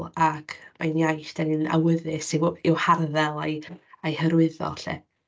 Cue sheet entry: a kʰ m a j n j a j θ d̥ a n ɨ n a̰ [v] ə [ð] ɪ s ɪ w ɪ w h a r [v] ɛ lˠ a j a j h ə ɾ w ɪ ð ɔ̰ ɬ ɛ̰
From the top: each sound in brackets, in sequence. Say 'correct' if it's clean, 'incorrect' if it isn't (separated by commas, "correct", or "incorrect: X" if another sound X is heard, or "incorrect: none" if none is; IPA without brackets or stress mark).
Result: incorrect: w, correct, incorrect: ð